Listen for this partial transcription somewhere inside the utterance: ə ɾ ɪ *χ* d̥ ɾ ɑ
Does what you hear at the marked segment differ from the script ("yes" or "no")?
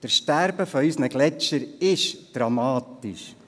yes